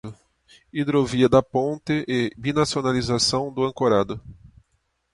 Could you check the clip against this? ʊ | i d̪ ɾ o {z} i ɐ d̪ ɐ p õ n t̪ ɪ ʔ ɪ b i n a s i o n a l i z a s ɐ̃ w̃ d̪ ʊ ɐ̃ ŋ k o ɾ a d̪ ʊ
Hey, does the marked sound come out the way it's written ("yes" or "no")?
no